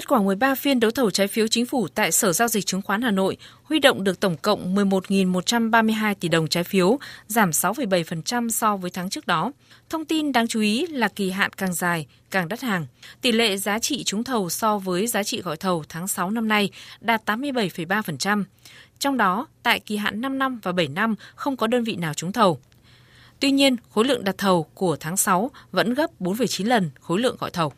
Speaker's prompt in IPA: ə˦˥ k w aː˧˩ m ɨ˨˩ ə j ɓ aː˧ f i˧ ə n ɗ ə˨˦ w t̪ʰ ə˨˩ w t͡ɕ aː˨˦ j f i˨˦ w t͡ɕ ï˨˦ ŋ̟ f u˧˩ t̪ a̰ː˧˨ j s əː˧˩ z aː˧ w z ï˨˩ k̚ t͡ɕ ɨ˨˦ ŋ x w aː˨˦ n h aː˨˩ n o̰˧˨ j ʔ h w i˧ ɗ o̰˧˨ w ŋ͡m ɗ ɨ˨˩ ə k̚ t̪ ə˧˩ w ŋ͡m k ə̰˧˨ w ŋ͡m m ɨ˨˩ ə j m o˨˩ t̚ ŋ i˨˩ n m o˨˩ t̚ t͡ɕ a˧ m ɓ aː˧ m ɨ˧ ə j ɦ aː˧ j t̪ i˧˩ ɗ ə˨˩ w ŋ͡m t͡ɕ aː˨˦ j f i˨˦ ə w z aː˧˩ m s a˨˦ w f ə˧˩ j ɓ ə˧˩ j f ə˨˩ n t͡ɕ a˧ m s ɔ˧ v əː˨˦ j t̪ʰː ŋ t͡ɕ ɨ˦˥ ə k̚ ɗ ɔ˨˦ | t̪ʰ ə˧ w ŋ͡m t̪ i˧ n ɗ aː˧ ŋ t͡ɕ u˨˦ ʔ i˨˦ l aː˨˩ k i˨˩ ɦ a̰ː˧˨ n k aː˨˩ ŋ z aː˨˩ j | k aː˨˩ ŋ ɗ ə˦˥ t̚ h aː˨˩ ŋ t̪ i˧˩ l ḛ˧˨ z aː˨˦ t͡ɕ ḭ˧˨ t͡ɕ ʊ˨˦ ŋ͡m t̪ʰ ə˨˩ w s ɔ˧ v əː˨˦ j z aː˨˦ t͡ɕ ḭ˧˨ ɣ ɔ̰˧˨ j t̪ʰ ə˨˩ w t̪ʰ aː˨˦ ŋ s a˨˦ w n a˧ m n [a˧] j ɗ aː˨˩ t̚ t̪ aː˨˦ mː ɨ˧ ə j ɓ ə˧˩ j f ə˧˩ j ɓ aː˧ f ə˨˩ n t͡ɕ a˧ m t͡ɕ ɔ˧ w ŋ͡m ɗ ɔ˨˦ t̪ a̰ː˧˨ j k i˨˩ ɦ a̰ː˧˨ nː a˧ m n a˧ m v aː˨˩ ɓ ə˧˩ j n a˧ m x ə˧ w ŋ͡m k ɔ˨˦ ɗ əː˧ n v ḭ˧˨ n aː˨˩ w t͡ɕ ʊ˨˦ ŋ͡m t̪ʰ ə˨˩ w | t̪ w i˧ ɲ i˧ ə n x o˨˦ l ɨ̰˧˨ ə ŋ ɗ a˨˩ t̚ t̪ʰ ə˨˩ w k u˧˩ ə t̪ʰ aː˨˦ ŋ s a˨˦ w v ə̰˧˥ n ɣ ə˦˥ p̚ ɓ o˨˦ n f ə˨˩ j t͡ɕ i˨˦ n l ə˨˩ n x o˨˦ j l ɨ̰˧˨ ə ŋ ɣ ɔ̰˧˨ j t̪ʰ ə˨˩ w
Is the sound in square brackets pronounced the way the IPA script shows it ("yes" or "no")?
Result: yes